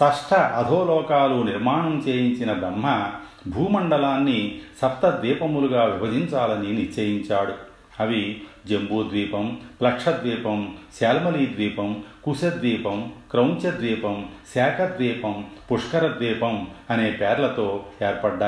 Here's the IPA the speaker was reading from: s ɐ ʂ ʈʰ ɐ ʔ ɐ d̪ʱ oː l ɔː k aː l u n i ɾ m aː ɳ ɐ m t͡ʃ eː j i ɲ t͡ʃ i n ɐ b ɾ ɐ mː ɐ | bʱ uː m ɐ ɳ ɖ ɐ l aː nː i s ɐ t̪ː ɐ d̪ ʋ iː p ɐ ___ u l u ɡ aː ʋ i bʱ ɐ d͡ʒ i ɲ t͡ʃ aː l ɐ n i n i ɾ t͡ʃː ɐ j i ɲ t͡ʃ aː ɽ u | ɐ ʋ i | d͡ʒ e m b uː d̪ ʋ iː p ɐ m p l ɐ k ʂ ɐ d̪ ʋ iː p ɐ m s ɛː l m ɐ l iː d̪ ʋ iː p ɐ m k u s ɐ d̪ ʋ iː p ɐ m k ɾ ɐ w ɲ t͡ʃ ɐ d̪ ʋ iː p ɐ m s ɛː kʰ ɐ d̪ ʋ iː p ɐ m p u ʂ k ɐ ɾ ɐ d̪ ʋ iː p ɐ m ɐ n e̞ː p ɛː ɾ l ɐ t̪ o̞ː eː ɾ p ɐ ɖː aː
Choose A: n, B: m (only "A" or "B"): B